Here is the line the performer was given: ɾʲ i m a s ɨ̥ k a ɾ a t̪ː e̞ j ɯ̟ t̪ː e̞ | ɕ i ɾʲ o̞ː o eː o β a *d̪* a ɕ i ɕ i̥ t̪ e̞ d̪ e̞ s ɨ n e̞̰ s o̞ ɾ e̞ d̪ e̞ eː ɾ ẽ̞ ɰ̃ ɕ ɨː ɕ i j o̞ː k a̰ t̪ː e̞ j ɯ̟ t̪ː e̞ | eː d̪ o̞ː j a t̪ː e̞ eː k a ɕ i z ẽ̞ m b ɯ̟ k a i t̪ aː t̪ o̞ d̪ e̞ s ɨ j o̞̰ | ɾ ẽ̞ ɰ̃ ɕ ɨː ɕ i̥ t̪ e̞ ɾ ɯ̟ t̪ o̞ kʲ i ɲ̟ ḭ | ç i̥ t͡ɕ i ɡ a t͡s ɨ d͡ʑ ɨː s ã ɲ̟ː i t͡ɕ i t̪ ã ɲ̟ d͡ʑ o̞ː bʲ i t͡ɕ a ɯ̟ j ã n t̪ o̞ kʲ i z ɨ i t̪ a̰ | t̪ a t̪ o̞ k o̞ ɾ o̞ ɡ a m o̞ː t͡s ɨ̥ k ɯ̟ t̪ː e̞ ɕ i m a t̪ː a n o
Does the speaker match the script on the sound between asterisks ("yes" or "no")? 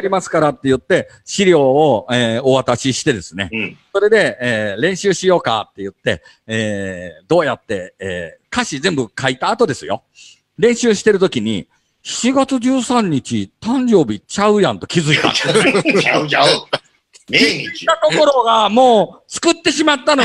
no